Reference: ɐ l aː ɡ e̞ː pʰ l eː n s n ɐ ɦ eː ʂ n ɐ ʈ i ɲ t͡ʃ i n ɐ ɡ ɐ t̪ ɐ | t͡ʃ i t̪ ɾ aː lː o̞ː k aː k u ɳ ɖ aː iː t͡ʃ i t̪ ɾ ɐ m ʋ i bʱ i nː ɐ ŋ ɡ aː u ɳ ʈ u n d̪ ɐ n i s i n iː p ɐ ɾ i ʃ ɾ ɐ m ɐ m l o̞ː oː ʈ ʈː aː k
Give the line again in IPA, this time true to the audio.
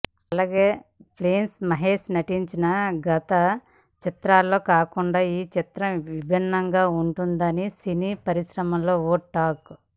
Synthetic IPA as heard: ɐ l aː ɡ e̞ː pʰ l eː n s m ɐ ɦ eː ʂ n ɐ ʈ i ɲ t͡ʃ i n ɐ ɡ ɐ t̪ ɐ | t͡ʃ i t̪ ɾ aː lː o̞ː k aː k u ɳ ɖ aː iː t͡ʃ i t̪ ɾ ɐ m ʋ i bʱ i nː ɐ ŋ ɡ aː u ɳ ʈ u n d̪ ɐ n i s i n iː p ɐ ɾ i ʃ ɾ ɐ m ɐ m l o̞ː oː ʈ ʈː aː k